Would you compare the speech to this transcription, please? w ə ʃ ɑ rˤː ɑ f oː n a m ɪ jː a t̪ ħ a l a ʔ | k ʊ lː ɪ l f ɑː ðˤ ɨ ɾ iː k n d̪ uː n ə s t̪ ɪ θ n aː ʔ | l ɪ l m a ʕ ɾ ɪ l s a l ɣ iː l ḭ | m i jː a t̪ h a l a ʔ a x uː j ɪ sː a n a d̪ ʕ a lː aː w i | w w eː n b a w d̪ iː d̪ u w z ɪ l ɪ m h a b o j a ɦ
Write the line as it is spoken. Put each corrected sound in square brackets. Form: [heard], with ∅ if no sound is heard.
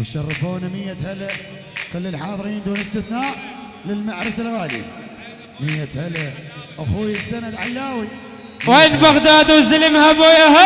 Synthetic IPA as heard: w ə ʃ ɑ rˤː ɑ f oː n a m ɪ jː a t̪ [h] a l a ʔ | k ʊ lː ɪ l [ħ] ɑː ðˤ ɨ ɾ iː [∅] n d̪ uː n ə s t̪ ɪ θ n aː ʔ | l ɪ l m a ʕ ɾ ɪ [∅] s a l ɣ [aː] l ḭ | m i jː a t̪ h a l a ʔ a x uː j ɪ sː a n a d̪ ʕ a lː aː w i | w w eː n b a [ɣ] d̪ [aː] d̪ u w z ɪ l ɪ m h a b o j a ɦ

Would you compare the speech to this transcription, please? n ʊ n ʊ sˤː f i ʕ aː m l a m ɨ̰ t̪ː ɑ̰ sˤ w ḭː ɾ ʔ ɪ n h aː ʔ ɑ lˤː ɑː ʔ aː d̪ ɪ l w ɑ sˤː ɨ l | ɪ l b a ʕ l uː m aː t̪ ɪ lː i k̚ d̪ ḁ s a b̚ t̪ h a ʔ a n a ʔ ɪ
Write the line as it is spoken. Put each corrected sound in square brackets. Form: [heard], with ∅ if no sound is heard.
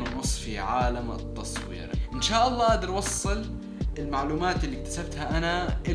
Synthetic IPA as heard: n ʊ n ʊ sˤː f i ʕ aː [∅] l a m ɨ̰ t̪ː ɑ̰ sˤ w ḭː ɾ ʔ ɪ n [ʃ] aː ʔ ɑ lˤː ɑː ʔ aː d̪ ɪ [ɾ] w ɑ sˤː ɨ l | ɪ l [m] a ʕ l uː m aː t̪ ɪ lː i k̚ [t̪] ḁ s a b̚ t̪ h a ʔ a n a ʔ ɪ

